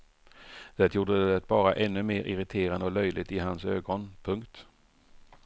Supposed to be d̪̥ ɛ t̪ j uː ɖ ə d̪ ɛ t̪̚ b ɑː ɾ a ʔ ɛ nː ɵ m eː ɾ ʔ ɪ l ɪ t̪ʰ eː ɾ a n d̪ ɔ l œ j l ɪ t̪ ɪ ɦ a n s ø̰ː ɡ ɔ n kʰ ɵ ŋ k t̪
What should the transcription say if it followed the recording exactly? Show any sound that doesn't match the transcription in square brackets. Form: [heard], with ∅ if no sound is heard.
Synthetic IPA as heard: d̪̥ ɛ t̪ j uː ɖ ə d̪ ɛ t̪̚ b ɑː ɾ a ʔ ɛ nː ɵ m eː ɾ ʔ ɪ [ɾ] ɪ t̪ʰ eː ɾ a n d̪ ɔ l œ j l ɪ t̪ ɪ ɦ a n s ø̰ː ɡ ɔ n [pʰ] ɵ ŋ k t̪